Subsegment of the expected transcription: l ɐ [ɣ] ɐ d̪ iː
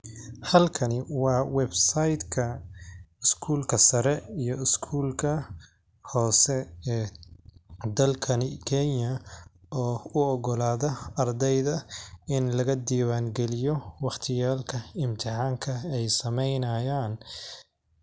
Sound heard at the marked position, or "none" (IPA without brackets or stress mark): ɣ